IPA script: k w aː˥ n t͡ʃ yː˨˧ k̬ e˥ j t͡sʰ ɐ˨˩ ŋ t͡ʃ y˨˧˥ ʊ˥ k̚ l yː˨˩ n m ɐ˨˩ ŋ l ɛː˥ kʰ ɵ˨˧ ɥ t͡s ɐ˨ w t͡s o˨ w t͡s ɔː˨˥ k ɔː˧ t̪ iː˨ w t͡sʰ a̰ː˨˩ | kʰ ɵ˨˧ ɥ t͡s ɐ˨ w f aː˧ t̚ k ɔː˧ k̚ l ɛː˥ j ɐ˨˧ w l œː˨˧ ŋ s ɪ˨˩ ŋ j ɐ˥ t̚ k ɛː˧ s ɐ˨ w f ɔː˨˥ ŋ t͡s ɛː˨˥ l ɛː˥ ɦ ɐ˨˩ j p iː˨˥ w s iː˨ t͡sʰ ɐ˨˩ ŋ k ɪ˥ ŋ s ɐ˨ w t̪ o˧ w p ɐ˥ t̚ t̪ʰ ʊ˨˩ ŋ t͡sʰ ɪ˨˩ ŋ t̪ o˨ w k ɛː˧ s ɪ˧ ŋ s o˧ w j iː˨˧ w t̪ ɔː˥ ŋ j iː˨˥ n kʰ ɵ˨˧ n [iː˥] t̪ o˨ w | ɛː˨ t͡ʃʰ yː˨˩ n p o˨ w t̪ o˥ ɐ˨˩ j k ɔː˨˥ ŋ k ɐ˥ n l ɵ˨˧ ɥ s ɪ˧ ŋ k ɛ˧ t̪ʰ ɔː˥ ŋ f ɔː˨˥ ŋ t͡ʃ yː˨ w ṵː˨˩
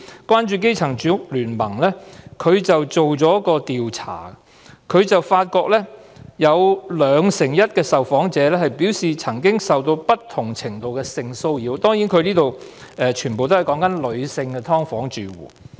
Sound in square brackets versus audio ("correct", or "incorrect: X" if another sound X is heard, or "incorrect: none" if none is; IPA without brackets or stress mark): correct